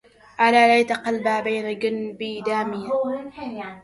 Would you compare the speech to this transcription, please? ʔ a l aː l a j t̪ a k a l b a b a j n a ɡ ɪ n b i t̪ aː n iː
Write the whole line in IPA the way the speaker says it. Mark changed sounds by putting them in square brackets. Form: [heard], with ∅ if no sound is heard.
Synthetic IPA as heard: ʔ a l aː l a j t̪ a [q] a l b a b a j n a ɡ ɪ n b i [d̪] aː [m] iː